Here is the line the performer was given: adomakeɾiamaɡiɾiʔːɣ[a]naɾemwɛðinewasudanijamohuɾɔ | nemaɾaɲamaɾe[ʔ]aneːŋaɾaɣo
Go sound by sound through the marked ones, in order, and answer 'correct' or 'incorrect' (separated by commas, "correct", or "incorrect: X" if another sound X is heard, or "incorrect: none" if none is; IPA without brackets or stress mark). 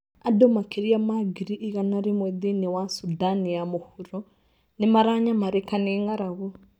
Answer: correct, incorrect: k